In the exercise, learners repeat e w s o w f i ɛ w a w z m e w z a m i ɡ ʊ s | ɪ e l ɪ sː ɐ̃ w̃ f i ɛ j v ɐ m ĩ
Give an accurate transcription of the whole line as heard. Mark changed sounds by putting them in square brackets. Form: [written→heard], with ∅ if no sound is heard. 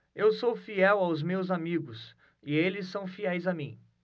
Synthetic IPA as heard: e w s o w f i ɛ w a w z m e w z a m i ɡ ʊ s | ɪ e l ɪ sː ɐ̃ w̃ f i ɛ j [v→z] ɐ m ĩ